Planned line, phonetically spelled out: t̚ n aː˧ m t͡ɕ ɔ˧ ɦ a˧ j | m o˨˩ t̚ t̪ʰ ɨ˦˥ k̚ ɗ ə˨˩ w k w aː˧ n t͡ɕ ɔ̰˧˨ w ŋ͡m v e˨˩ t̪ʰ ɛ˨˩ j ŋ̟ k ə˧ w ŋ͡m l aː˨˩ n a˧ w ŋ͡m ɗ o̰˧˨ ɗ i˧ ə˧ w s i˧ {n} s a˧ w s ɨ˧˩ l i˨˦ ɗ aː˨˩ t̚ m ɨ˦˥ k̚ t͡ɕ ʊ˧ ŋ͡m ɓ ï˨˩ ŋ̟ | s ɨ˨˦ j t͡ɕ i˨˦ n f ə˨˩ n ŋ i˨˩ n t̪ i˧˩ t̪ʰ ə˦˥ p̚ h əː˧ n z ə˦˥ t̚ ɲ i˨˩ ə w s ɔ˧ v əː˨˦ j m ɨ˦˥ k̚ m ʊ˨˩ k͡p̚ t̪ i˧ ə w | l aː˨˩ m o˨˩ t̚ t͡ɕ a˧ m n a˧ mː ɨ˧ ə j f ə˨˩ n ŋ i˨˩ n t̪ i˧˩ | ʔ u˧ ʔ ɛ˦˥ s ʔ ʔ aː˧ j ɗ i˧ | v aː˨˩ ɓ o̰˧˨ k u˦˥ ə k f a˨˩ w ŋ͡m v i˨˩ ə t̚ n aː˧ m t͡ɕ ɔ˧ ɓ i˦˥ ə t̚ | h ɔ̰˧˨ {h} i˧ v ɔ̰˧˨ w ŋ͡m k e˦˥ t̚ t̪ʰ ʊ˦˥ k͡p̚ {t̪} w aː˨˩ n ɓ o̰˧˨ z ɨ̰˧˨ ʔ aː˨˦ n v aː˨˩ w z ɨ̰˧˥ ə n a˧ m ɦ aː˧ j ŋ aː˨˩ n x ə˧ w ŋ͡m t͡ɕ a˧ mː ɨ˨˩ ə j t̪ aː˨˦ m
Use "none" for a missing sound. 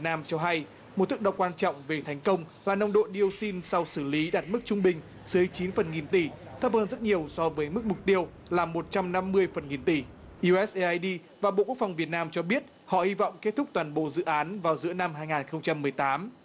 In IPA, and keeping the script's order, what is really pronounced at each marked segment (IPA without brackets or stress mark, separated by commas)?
n, h, t̪